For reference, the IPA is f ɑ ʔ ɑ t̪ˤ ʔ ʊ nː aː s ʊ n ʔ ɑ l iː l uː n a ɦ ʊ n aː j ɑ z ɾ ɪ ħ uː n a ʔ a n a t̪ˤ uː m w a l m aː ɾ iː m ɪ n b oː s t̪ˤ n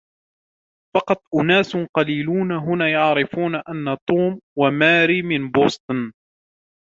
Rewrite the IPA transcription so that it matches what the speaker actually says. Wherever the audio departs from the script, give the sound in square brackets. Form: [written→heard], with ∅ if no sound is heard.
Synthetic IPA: f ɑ [ʔ→q] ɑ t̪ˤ ʔ ʊ [nː→n] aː s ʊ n [ʔ→q] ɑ l iː l uː n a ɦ ʊ n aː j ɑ [z→ʕ] ɾ ɪ [ħ→f] uː n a ʔ a [n→nː] a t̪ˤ uː m w a [l→∅] m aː ɾ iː m ɪ n b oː s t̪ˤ n